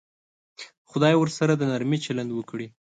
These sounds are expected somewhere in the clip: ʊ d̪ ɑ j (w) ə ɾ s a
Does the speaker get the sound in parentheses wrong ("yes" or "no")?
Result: no